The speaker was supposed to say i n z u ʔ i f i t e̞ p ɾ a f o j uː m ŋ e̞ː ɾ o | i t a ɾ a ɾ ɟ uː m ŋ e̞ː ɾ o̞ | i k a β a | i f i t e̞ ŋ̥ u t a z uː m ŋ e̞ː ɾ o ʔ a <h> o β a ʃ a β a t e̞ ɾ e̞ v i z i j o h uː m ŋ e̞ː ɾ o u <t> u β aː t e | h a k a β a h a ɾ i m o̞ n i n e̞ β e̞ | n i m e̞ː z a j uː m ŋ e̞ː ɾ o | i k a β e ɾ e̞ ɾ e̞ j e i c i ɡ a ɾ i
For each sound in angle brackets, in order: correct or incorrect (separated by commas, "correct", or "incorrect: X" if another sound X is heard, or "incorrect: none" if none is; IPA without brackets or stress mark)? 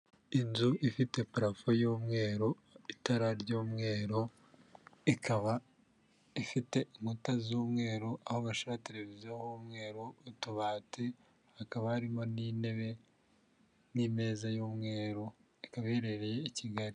correct, correct